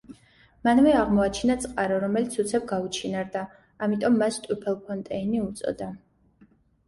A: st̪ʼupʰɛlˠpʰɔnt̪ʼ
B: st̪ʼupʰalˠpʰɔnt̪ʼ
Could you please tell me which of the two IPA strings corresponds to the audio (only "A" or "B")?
A